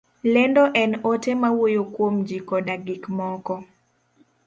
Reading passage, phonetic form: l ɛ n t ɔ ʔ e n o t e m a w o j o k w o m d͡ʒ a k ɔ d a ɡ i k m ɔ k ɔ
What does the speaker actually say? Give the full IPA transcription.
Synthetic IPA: l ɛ n d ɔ ʔ ɛ n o t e m a w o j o k w o m d͡ʒ i k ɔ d a ɡ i k m ɔ k ɔ